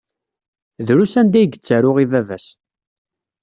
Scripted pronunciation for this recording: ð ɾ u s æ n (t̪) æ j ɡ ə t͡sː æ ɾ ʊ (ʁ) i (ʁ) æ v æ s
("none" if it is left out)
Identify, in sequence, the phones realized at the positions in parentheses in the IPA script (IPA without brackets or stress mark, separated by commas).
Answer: d̪, ʁ, v